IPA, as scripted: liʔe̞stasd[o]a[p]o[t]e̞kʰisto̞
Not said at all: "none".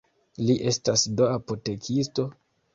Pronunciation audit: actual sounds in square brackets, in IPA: o, p, t

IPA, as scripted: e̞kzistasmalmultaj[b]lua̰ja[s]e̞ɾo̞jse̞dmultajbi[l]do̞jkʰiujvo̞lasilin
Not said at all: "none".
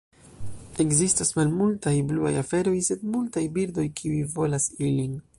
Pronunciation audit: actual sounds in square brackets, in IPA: b, f, ɾ

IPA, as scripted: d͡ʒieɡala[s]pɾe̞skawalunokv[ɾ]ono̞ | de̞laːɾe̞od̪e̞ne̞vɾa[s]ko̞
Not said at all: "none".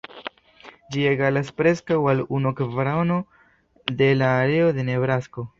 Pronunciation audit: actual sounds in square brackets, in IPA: s, ɾ, s

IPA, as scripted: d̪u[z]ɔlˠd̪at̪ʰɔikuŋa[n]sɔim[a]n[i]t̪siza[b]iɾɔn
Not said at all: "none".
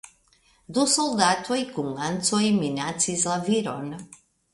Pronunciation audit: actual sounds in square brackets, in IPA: s, n, i, a, v

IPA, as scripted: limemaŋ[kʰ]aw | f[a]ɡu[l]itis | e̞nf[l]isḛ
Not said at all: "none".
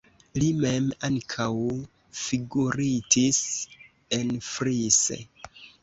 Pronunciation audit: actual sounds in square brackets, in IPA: kʰ, i, ɾ, ɾ

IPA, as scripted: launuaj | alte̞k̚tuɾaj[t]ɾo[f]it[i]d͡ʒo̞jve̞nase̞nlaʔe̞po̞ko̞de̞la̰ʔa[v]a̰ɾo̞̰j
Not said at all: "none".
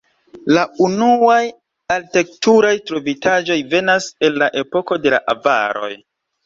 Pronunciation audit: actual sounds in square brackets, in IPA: t, v, a, v

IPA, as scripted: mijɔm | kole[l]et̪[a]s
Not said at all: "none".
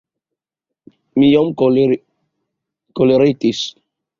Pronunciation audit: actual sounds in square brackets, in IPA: ɾ, i

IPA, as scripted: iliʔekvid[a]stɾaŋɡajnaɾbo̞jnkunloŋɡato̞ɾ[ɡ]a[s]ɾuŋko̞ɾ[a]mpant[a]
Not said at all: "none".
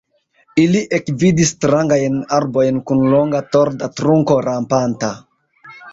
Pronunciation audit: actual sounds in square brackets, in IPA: i, d, t, a, a

